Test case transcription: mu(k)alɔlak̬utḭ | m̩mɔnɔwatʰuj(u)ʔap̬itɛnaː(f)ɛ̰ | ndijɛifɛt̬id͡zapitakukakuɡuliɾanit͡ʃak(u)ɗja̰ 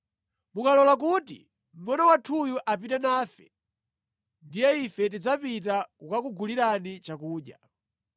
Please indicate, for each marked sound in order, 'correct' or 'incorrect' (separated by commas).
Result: correct, correct, correct, incorrect